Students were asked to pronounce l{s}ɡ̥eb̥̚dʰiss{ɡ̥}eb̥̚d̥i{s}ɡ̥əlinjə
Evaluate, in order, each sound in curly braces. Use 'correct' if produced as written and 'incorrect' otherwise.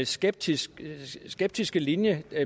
correct, correct, correct

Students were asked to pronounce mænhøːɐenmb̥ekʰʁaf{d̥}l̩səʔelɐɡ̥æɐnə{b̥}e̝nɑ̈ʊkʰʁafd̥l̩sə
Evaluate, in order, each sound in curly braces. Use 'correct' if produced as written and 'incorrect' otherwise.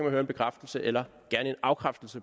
correct, incorrect: none

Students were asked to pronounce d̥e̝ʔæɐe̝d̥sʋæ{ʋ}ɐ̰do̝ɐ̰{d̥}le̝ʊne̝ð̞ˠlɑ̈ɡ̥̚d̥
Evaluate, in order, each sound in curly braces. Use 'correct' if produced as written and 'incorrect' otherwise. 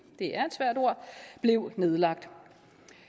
incorrect: none, incorrect: b̥

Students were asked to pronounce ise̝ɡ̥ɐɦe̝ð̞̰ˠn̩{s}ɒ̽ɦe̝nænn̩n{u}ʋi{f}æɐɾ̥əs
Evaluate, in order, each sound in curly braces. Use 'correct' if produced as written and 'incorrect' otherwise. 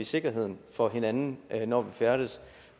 incorrect: f, incorrect: ɒ, correct

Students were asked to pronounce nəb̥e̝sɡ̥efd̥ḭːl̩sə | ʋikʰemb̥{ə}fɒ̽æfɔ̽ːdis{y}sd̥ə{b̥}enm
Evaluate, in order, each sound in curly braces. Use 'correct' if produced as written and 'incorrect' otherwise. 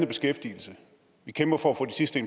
incorrect: ɐ, incorrect: i, incorrect: none

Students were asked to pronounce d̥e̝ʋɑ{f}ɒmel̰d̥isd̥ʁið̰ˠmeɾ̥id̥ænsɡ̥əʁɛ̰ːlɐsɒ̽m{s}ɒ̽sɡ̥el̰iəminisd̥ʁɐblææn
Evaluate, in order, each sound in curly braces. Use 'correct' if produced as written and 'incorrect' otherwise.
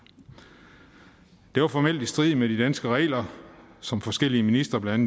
correct, incorrect: f

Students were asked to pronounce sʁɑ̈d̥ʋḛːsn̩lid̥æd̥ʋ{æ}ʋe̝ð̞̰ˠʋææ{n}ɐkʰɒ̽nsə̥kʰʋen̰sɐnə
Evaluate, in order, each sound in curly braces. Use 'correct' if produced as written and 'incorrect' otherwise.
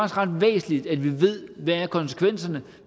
incorrect: i, incorrect: none

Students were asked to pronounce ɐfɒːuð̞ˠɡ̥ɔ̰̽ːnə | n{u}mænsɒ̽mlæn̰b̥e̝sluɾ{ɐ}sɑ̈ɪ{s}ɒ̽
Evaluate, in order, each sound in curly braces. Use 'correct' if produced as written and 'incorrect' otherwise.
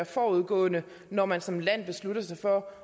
incorrect: ɒ, correct, incorrect: f

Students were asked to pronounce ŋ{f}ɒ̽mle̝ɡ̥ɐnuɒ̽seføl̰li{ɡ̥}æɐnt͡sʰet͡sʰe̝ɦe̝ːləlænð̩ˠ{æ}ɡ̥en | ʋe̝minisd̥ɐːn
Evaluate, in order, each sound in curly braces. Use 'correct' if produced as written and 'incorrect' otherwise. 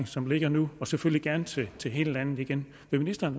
incorrect: s, correct, incorrect: i

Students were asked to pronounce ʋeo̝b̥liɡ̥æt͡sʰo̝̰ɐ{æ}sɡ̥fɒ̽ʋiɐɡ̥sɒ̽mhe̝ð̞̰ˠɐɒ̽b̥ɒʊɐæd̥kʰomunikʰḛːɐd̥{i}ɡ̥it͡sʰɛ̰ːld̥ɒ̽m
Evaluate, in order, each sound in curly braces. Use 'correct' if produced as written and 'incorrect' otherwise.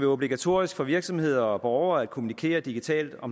incorrect: i, correct

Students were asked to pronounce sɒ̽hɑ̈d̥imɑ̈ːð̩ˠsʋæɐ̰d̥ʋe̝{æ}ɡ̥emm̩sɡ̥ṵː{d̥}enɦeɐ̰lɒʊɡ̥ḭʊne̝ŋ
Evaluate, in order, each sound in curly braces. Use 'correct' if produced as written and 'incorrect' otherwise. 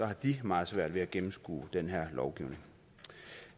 correct, correct

